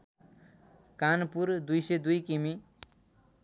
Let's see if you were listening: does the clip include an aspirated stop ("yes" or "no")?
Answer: no